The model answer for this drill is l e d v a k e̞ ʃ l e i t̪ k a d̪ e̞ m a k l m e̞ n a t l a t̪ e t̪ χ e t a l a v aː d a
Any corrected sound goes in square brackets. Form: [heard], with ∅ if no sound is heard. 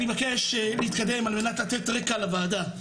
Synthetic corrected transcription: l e [∅] v a k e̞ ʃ l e i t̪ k a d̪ e̞ m a [∅] l m e̞ n a t l a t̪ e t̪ [ʁ] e [k] a l a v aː d a